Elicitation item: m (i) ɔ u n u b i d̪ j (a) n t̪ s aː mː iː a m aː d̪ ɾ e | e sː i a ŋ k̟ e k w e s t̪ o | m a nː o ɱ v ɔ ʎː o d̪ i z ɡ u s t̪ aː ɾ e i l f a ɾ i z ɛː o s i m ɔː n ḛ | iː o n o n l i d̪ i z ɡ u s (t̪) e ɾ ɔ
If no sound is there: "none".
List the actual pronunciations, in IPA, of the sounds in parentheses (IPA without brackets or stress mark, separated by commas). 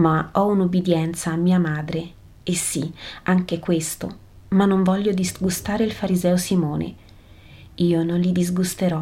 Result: a, ɛ, t̪